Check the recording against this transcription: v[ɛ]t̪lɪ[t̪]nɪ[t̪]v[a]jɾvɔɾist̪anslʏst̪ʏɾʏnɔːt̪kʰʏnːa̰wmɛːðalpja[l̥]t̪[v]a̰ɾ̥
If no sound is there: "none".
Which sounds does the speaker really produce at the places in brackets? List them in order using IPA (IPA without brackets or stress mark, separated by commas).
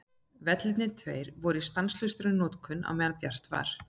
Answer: ɛ, t̪, t̪ʰ, e, r̥, v